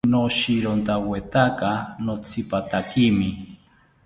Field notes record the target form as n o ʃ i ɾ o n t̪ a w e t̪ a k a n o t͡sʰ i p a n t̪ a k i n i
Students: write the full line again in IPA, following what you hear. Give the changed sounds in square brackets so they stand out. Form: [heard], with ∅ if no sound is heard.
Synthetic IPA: n o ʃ i ɾ o n t̪ a w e t̪ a k a n o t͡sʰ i p a [∅] t̪ a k i [m] i